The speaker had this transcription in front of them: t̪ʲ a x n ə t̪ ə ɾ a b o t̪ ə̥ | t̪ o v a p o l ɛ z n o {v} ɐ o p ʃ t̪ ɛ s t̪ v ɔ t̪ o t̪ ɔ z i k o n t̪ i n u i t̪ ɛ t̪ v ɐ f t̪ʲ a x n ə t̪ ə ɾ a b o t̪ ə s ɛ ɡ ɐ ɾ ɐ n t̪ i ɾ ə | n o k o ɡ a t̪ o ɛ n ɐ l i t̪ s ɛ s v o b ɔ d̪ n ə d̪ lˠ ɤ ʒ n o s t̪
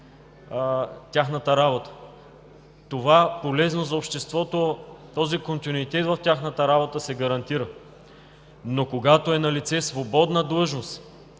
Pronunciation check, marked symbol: incorrect: z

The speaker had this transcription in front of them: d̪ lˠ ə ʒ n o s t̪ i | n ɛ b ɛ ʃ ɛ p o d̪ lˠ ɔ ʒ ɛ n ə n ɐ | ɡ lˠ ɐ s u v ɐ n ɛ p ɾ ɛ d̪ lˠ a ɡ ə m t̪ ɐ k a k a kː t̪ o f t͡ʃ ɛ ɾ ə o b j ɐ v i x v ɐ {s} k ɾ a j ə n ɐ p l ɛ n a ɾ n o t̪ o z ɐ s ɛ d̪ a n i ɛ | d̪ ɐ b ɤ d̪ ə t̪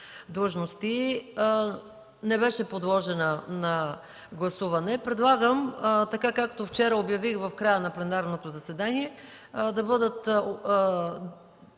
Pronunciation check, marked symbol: incorrect: f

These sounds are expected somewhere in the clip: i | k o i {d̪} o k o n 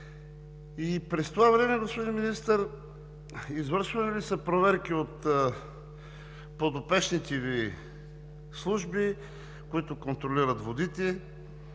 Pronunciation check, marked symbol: incorrect: t̪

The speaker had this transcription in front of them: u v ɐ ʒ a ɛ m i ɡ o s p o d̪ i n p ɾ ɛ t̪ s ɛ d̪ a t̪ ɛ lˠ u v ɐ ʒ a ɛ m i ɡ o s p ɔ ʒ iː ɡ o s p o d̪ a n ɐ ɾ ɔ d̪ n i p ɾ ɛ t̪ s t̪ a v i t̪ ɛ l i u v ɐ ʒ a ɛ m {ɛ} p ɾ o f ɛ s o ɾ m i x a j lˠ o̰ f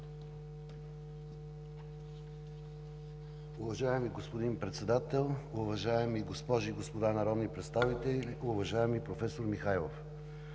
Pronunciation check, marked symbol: incorrect: i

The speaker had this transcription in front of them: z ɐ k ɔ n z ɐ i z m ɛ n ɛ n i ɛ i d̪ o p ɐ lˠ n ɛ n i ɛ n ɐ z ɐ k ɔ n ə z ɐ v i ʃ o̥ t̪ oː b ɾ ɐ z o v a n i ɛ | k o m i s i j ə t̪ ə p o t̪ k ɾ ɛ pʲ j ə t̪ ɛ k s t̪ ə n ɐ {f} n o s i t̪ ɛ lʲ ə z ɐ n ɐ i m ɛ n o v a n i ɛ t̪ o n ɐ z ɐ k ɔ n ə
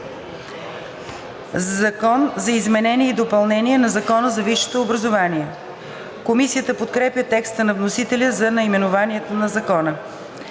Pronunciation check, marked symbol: incorrect: v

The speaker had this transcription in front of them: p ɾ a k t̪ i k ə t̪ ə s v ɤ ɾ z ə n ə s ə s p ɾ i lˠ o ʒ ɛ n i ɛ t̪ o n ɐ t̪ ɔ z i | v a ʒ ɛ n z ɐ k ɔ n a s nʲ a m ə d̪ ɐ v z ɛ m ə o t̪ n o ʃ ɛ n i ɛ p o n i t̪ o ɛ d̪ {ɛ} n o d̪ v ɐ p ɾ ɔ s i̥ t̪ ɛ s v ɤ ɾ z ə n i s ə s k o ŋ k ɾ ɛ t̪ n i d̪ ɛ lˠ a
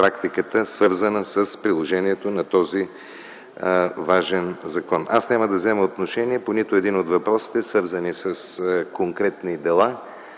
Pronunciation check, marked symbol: incorrect: i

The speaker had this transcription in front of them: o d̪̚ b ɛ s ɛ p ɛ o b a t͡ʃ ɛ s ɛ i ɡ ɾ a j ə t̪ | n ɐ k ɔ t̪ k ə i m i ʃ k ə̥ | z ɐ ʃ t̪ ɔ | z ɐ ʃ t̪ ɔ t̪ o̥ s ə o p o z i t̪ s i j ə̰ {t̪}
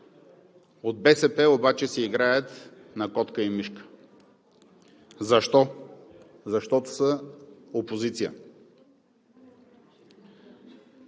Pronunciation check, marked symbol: incorrect: none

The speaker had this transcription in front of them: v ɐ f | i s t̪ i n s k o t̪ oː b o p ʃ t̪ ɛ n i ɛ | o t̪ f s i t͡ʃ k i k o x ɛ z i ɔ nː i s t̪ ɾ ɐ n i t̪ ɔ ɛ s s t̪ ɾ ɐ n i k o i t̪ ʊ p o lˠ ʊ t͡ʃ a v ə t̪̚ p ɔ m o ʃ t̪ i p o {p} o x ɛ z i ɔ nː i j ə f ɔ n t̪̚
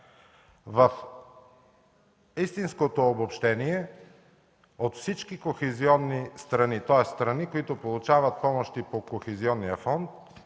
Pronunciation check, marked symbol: incorrect: k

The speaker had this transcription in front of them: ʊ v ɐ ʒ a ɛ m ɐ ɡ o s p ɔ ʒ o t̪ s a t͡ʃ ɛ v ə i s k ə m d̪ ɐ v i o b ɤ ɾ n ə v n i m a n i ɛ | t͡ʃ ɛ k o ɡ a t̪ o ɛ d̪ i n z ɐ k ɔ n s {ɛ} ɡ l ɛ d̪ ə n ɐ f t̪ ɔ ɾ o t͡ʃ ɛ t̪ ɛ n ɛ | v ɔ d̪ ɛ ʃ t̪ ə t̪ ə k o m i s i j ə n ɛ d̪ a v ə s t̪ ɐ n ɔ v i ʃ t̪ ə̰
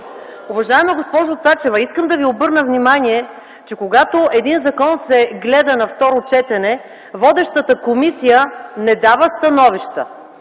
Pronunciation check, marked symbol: correct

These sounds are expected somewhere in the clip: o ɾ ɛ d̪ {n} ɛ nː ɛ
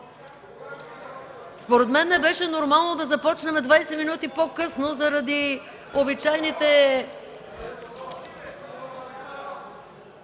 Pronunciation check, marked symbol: incorrect: m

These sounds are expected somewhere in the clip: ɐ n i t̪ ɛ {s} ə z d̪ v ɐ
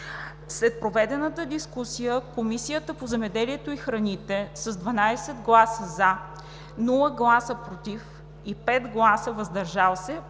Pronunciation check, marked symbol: correct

